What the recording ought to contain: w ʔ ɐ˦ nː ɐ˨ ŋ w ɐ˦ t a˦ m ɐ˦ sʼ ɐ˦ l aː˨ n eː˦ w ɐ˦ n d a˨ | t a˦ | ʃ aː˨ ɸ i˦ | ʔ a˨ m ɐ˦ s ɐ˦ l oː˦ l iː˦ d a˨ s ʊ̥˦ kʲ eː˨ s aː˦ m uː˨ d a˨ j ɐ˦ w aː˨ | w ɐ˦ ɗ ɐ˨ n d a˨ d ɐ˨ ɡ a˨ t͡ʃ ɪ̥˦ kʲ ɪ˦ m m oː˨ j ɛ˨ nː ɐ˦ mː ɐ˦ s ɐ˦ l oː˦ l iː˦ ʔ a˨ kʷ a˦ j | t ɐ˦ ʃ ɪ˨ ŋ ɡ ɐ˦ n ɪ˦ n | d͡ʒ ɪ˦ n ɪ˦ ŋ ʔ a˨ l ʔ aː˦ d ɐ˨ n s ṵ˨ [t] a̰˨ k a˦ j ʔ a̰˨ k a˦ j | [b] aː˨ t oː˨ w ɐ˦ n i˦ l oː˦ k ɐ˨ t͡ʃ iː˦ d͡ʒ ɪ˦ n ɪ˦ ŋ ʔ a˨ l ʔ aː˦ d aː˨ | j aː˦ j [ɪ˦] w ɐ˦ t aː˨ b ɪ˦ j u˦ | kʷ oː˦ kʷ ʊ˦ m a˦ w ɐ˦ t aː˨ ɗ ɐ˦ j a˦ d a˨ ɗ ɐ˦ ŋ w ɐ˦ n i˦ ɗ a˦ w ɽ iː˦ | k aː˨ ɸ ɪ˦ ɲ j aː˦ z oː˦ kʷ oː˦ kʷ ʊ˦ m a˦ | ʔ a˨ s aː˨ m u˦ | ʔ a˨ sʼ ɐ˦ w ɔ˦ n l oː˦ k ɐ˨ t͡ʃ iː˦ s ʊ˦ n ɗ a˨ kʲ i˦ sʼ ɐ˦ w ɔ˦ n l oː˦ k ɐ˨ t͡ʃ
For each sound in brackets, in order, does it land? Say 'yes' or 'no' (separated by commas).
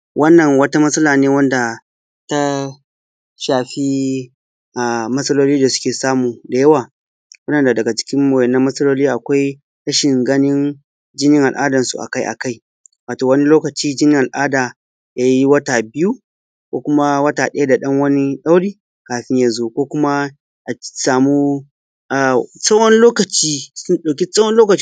no, no, no